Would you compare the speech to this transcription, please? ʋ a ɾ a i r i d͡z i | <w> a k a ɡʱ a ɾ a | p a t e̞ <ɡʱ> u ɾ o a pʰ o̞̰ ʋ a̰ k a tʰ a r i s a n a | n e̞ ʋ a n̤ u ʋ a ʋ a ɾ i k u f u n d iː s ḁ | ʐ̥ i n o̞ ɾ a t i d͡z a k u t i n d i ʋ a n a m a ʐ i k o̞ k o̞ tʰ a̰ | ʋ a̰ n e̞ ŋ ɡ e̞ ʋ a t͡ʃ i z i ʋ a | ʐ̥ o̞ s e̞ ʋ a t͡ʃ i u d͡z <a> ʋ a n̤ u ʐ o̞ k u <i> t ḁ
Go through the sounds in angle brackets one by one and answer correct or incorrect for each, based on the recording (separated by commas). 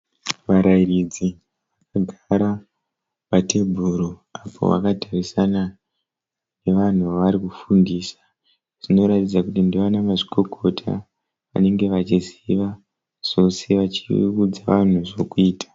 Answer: incorrect, incorrect, correct, incorrect